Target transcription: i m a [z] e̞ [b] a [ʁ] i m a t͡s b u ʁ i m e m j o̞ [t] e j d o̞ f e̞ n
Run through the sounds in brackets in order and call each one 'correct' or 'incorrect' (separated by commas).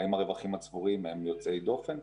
incorrect, incorrect, incorrect, incorrect